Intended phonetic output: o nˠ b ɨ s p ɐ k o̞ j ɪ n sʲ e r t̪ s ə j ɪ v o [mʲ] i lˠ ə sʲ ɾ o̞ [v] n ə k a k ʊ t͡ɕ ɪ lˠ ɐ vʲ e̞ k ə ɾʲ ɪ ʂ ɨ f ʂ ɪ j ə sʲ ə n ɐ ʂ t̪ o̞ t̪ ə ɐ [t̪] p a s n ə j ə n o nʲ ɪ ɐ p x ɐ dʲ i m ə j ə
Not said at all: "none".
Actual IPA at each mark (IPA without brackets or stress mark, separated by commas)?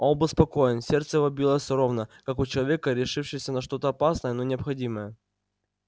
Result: bʲ, v, none